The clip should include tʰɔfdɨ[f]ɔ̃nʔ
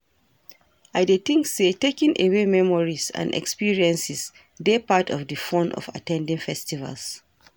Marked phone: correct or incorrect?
correct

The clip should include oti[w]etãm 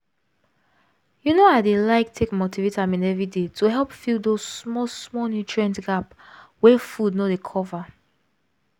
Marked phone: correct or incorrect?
incorrect: v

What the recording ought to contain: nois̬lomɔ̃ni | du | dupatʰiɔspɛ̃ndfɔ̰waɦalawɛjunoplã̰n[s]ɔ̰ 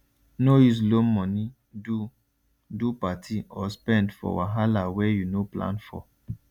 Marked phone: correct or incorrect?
incorrect: f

